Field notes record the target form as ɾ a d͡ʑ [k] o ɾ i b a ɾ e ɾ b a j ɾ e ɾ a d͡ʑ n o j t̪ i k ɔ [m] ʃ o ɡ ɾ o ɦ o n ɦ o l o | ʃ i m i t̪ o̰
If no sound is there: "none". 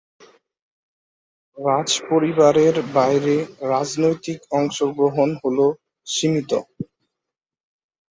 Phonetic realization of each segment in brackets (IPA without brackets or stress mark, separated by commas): p, ŋ